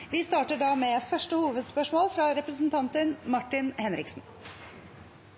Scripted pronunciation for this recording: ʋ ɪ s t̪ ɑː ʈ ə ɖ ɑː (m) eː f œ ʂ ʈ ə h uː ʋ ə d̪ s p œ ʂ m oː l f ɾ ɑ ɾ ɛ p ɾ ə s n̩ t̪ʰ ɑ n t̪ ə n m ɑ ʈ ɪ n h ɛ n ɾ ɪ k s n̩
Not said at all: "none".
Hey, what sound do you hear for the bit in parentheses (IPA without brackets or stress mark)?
m